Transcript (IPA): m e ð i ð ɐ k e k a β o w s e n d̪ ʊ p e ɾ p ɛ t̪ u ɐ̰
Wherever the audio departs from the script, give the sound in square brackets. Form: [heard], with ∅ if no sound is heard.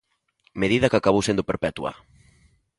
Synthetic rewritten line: m e ð i ð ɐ k [a] k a β o w s e n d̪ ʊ p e ɾ p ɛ t̪ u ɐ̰